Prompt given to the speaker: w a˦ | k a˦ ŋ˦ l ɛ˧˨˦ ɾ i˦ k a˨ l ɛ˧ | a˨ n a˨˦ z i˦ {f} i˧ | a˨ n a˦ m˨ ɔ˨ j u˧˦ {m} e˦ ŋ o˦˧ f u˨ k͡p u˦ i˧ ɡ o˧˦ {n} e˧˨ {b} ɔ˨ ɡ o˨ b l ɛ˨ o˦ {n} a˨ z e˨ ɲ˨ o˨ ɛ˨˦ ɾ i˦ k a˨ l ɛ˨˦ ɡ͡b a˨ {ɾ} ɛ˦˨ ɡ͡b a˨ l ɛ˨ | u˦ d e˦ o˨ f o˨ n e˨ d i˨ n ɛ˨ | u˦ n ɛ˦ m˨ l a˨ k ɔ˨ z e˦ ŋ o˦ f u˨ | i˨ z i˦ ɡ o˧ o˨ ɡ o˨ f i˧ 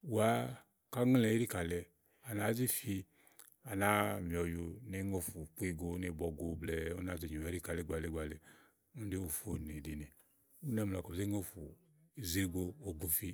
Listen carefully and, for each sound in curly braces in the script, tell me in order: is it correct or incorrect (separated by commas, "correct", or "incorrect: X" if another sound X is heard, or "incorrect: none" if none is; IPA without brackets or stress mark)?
correct, incorrect: n, correct, correct, correct, incorrect: l